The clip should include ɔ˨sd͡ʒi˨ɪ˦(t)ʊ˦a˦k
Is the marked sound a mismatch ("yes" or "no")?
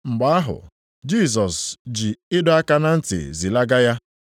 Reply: yes